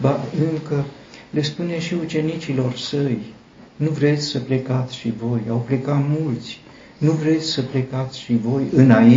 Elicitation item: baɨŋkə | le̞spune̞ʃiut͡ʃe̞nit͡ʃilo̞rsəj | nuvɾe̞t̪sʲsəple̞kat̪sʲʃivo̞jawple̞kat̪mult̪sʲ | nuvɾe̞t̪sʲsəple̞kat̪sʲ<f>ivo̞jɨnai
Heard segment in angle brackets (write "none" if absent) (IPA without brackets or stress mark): ʃ